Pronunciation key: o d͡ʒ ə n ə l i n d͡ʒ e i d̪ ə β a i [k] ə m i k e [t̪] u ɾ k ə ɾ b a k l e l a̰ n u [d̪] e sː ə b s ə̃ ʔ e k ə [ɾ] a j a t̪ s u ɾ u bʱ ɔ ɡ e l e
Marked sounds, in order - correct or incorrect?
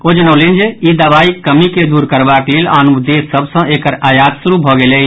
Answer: correct, incorrect, correct, correct

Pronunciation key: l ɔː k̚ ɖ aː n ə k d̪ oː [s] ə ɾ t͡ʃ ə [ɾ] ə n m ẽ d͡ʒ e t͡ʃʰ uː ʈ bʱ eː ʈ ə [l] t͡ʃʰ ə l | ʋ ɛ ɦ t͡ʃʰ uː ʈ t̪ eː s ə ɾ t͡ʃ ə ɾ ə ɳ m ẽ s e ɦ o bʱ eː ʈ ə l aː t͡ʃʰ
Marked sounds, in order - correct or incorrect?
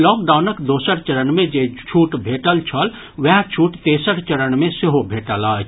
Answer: correct, correct, correct

